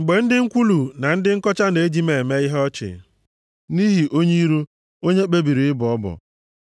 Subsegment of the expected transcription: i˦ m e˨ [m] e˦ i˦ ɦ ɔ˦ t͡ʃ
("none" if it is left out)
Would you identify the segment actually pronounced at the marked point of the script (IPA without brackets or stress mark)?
m